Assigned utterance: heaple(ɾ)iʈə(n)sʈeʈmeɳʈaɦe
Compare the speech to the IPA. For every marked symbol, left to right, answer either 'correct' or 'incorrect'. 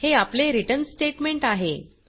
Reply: correct, correct

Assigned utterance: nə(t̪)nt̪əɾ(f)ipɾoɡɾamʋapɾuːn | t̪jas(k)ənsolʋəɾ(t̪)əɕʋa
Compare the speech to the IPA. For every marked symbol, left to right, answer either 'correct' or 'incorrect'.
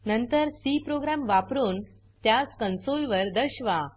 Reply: incorrect: none, incorrect: s, correct, incorrect: d̪

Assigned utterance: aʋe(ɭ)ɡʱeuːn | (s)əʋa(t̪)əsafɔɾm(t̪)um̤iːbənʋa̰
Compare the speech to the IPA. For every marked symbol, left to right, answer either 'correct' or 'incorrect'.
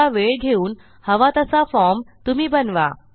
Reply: correct, incorrect: h, correct, correct

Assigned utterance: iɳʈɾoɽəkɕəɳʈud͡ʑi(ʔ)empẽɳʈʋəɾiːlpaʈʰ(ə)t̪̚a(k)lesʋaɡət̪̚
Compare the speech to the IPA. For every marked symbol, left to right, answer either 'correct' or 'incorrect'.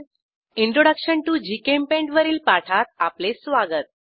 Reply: incorrect: k, incorrect: a, incorrect: p

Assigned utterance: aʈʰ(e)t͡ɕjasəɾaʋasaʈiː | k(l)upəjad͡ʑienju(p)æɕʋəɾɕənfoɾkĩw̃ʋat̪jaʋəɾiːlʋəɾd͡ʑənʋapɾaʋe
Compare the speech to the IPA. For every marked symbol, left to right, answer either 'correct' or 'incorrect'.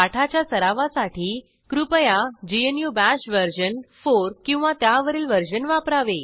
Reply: incorrect: a, incorrect: ɾ, incorrect: b

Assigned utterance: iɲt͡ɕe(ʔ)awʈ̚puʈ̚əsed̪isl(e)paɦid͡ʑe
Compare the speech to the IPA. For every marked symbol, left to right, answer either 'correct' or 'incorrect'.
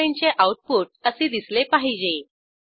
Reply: correct, correct

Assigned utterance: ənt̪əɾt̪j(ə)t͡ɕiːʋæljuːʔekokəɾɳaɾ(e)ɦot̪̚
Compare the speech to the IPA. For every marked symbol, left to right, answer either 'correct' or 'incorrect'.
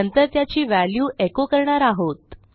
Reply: incorrect: a, incorrect: a

